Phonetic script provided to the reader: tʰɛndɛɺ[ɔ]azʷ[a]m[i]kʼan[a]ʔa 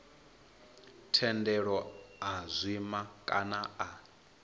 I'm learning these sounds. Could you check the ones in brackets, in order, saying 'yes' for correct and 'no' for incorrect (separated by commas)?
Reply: yes, no, no, yes